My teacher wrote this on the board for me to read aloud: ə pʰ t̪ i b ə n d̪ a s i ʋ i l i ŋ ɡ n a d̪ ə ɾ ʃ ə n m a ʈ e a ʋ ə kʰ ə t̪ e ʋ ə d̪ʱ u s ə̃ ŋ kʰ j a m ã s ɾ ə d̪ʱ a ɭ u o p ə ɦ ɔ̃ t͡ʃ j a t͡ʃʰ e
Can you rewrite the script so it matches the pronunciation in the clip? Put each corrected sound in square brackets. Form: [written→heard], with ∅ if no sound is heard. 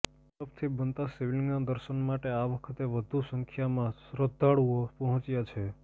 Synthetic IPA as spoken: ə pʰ [t̪→t̪ʰ] i b ə n [d̪→t̪] a s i ʋ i l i ŋ ɡ n a d̪ ə ɾ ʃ ə n m a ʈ e a ʋ ə kʰ ə t̪ e ʋ ə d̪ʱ u s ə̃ ŋ kʰ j a m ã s ɾ ə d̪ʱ a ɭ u o p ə ɦ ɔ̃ t͡ʃ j a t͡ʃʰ e